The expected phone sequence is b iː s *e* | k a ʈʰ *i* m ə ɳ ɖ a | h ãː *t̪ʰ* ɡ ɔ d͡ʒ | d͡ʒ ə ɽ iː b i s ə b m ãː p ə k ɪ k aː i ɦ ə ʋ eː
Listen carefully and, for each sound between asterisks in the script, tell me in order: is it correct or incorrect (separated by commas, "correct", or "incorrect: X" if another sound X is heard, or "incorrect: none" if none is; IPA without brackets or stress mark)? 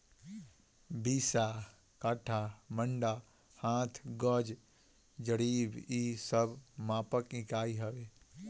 incorrect: a, incorrect: a, correct